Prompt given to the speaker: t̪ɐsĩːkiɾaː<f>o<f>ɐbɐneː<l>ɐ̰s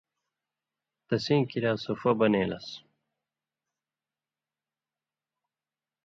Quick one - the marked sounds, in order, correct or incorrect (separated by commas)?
incorrect, correct, correct